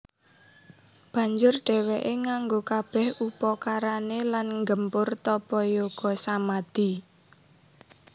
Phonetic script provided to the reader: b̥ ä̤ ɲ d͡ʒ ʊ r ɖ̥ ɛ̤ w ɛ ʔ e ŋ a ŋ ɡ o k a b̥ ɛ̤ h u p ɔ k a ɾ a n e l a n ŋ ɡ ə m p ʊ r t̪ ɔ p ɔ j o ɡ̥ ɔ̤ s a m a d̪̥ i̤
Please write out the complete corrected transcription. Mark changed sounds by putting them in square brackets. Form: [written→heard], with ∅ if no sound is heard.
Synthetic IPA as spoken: b̥ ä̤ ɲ d͡ʒ ʊ r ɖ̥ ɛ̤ w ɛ ʔ e ŋ a ŋ ɡ o k a b̥ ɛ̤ h u p ɔ k a ɾ a n e l a n ŋ ɡ ə m p ʊ r t̪ ɔ p ɔ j o ɡ̥ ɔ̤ s a m a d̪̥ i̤